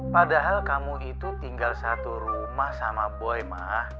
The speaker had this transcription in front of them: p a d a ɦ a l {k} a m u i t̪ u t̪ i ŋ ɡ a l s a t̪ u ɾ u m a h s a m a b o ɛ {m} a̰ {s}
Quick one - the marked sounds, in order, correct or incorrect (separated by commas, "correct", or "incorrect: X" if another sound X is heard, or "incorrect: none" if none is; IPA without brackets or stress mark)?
correct, correct, incorrect: h